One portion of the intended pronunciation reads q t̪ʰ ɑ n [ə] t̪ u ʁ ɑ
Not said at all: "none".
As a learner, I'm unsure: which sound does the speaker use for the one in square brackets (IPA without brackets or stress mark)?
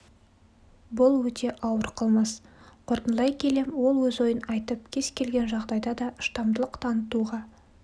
ə